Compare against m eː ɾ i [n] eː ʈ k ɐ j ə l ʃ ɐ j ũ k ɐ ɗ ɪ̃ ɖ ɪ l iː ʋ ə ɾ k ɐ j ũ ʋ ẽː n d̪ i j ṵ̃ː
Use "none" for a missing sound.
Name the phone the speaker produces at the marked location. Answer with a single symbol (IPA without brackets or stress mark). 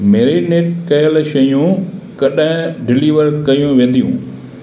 n